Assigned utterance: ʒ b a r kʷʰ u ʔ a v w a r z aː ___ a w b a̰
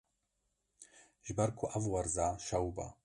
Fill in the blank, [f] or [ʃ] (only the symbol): ʃ